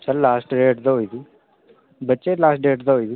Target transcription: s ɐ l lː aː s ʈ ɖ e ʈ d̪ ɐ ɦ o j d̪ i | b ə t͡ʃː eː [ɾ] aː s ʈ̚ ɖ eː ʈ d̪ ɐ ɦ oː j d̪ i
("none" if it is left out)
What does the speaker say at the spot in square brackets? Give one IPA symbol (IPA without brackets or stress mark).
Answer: l